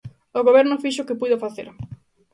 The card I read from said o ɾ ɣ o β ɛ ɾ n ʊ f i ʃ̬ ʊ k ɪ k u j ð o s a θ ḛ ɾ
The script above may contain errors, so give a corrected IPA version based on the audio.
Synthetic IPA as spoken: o ɣ o β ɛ ɾ n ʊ f i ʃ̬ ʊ k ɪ p u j ð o f a θ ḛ ɾ

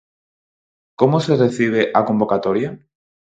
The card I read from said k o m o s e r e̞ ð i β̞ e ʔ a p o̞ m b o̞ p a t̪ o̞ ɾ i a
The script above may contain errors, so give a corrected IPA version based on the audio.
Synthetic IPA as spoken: k o m o s e r e̞ θ i β̞ e ʔ a k o̞ m b o̞ k a t̪ o̞ ɾ j a

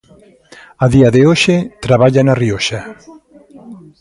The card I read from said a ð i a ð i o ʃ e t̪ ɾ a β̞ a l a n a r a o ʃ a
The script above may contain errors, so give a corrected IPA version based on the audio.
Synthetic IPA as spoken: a ð i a ð e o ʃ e t̪ ɾ a β̞ a ʎ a n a r i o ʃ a

